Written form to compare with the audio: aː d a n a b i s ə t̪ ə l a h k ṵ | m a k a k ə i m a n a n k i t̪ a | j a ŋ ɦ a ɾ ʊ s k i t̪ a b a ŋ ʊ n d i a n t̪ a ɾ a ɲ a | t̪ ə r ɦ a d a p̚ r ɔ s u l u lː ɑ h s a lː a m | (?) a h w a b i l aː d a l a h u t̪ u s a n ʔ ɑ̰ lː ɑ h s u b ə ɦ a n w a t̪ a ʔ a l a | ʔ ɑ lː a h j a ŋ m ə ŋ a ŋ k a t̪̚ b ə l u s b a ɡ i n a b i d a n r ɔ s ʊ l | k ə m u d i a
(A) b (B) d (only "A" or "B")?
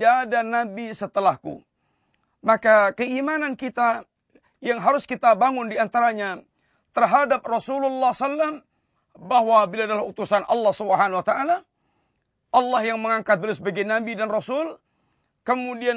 A